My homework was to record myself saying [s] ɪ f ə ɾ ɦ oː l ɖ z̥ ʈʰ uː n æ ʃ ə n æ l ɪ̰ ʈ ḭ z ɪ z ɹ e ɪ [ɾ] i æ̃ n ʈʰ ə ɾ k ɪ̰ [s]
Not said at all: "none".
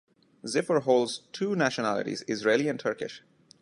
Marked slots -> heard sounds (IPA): z, l, ʃ

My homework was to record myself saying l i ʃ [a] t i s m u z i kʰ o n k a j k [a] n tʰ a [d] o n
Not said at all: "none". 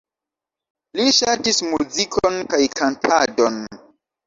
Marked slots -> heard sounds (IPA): a, a, d

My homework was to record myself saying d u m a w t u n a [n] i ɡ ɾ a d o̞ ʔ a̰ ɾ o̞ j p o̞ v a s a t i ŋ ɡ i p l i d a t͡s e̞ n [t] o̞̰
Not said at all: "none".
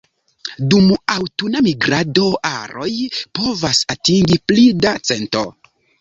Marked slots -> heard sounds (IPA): m, t

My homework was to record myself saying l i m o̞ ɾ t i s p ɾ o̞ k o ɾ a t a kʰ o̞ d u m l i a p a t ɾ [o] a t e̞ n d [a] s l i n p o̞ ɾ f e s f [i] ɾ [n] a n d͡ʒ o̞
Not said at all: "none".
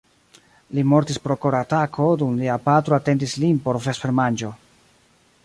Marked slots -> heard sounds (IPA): o, i, e, m

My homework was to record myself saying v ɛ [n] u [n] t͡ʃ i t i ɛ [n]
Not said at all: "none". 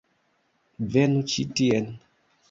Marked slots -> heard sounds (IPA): n, none, n

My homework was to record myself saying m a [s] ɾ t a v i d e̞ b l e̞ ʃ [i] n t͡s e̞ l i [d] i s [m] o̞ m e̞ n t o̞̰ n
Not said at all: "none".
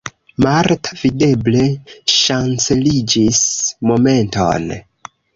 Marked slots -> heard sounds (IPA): none, a, d͡ʒ, m

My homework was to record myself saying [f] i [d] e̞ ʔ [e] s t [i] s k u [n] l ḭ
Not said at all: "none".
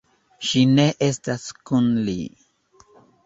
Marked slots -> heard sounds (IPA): ʃ, n, e, a, n

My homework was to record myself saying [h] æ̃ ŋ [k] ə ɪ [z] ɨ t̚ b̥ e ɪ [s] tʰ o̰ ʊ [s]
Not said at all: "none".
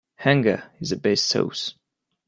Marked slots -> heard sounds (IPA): h, ɡ, z, s, s

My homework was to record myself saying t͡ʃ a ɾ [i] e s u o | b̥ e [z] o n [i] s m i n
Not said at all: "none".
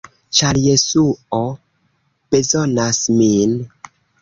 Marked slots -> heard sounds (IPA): j, z, a

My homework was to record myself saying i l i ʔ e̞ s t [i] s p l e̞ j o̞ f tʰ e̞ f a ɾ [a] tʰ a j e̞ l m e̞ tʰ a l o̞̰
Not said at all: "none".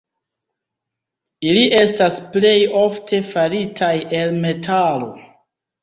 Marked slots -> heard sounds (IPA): a, i

